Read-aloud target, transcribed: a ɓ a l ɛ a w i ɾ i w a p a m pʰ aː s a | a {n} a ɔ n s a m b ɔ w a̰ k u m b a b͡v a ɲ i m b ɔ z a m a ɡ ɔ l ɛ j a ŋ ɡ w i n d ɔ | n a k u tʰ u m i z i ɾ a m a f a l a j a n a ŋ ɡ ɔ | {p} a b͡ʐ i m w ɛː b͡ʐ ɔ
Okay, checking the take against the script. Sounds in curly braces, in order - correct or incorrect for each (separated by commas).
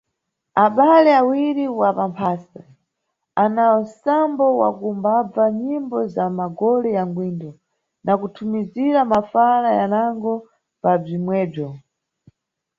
correct, correct